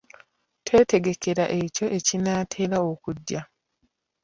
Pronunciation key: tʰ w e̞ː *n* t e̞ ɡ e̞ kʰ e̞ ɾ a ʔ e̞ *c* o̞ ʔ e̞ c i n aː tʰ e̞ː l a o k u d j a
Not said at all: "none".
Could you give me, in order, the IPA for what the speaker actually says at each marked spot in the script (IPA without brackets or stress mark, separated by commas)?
none, c